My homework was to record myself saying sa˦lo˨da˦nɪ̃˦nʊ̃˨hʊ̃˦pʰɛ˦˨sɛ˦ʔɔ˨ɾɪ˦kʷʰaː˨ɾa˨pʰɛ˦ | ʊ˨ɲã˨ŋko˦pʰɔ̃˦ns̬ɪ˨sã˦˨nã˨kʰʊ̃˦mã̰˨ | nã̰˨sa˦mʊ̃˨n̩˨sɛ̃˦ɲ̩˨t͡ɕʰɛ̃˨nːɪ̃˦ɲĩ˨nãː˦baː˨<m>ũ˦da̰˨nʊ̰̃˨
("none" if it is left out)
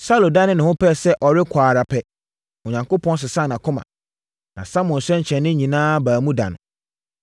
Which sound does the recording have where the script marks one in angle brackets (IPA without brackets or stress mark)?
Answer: m